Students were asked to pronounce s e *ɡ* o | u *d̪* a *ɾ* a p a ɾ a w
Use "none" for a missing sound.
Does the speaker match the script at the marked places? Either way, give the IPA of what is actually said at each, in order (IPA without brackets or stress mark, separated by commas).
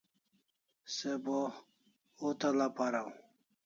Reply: b, t̪, l